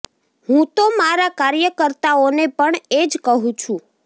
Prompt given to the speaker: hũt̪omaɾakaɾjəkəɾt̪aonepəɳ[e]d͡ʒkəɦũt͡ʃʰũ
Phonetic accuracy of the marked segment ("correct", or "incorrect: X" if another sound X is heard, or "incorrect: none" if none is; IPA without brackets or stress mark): correct